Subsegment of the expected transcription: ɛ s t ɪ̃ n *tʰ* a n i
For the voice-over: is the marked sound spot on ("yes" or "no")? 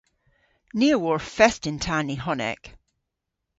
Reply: yes